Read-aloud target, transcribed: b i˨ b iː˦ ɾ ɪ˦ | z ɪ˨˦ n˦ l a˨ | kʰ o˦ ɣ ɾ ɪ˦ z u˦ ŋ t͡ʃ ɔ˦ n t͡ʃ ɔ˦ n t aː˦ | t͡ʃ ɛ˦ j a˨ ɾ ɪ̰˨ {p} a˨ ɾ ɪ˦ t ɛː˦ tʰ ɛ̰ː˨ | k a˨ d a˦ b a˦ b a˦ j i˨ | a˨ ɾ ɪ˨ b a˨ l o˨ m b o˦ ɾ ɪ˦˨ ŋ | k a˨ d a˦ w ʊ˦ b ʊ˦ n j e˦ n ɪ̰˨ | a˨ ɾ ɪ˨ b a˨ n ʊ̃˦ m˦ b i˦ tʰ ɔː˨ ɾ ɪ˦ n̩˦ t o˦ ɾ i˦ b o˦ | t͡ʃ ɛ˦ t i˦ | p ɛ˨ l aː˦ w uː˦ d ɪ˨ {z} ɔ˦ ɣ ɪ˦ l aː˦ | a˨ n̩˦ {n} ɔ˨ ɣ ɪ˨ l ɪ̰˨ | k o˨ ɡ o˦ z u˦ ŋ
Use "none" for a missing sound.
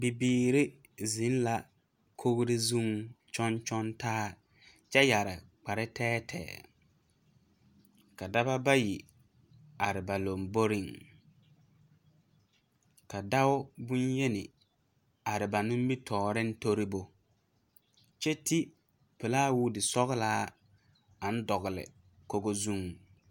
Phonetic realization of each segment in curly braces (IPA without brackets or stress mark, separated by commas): k͡p, s, d